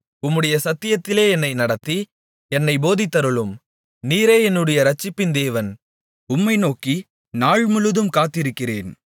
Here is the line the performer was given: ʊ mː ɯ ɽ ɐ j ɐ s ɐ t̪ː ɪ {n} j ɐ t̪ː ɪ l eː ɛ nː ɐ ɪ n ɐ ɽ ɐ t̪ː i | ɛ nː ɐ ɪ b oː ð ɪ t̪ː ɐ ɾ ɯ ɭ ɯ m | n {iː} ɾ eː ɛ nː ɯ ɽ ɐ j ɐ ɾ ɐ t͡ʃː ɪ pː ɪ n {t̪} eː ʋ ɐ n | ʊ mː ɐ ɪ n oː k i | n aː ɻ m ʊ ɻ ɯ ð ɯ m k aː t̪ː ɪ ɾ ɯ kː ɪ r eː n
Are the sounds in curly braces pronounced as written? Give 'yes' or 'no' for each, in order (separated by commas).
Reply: no, yes, no